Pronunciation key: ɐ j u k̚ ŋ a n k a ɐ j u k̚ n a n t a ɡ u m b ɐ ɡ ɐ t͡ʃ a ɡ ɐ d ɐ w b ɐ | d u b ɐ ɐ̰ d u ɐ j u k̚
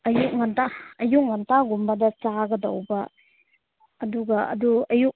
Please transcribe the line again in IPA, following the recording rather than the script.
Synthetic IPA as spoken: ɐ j u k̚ ŋ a n t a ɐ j u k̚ ŋ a n t a ɡ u m b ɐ d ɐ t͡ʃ a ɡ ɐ d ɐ w b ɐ | d u ɡ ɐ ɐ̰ d u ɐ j u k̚